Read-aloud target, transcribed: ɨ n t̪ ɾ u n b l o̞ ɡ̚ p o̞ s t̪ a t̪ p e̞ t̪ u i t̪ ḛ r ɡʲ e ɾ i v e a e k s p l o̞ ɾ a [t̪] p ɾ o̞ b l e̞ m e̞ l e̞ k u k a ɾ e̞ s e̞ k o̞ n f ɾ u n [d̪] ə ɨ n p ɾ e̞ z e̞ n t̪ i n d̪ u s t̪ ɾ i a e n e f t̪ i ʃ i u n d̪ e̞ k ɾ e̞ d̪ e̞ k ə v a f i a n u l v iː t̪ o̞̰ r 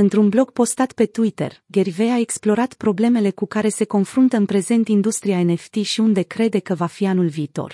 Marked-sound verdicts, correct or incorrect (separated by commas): correct, incorrect